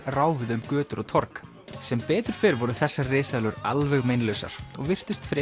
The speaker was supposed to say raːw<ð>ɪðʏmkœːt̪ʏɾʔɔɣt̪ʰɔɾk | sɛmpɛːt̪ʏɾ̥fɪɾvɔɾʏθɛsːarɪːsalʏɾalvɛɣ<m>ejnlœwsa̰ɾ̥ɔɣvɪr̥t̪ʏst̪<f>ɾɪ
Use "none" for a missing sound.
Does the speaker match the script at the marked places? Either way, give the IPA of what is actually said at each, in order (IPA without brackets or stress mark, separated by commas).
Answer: v, m, f